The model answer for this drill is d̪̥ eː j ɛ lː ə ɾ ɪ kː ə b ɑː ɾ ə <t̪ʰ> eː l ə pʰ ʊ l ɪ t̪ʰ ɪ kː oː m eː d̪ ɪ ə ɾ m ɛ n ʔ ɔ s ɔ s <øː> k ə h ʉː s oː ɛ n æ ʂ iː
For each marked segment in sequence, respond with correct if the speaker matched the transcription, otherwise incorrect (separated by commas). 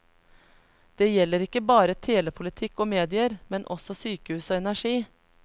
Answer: correct, incorrect